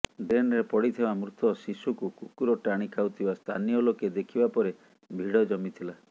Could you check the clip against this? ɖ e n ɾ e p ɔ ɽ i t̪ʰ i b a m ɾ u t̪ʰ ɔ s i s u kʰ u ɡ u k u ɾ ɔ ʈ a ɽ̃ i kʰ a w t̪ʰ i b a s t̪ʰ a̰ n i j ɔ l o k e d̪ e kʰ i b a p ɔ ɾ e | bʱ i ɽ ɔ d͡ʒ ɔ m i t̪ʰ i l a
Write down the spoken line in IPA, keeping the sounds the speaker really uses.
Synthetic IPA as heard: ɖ e n ɾ e p ɔ ɽ i t̪ʰ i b a m ɾ u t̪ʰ ɔ s i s u k u k u k u ɾ ɔ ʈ a ɽ̃ i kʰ a w t̪ʰ i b a s t̪ʰ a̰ n i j ɔ l o k e d̪ e kʰ i b a p ɔ ɾ e | bʱ i ɽ ɔ d͡ʒ ɔ m i t̪ʰ i l a